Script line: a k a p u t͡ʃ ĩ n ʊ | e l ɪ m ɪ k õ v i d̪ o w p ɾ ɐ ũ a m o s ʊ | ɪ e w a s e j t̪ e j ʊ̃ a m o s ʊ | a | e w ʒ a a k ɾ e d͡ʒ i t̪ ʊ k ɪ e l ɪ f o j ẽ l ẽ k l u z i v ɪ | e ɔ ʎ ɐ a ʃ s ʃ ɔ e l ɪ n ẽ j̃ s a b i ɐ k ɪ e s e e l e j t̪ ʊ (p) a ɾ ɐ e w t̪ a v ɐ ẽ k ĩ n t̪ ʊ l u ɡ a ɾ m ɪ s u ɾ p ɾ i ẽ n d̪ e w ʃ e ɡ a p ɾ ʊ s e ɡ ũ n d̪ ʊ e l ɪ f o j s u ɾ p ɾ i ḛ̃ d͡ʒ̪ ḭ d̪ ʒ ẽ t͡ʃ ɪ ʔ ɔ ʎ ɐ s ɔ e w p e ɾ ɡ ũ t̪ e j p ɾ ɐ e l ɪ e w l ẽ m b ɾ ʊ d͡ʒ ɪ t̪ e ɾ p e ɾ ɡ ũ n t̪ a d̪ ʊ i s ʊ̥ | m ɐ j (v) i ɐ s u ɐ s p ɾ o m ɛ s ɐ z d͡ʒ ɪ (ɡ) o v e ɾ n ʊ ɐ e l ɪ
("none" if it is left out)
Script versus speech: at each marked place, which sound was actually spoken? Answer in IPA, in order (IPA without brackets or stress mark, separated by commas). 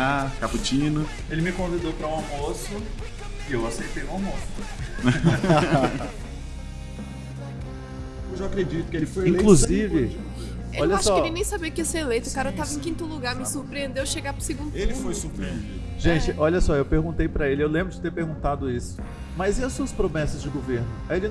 k, z, ɡ